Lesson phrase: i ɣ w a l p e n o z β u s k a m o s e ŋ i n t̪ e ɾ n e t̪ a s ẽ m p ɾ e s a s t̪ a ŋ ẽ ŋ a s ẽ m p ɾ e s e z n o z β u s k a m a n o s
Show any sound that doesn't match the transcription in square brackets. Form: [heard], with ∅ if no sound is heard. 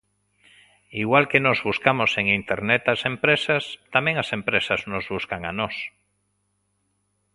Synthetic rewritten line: i ɣ w a l [k] e n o z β u s k a m o s e ŋ i n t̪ e ɾ n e t̪ a s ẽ m p ɾ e s a s t̪ a [m] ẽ ŋ a s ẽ m p ɾ e s [a] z n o z β u s k a [ŋ] a n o s